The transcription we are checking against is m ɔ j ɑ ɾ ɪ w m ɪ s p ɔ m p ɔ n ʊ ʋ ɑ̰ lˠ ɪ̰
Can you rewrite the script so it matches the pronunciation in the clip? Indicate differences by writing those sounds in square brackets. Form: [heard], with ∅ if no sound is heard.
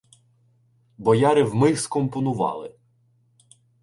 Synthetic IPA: [b] ɔ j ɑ ɾ ɪ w m ɪ s [k] ɔ m p ɔ n ʊ ʋ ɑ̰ lˠ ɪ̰